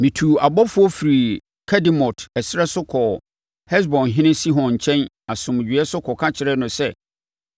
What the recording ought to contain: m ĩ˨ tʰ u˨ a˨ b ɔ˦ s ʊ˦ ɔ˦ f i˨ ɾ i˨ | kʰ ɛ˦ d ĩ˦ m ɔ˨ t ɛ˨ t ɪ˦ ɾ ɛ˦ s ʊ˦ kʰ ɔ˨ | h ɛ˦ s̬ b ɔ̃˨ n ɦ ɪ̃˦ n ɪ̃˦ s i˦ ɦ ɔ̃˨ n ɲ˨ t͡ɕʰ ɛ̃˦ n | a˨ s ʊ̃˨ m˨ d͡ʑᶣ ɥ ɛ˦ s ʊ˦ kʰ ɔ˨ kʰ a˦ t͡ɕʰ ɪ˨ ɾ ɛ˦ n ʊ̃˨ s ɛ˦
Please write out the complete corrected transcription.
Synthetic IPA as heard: m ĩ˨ tʰ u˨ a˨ b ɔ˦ f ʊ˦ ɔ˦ f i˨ ɾ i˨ | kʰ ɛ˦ d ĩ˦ m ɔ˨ t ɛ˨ s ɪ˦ ɾ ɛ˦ s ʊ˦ kʰ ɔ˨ | h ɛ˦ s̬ b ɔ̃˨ n ɦ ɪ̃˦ n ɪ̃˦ s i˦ ɦ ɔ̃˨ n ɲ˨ t͡ɕʰ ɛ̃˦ n | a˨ s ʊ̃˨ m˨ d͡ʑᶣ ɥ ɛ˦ s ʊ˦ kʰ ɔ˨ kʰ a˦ t͡ɕʰ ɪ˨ ɾ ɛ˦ n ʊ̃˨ s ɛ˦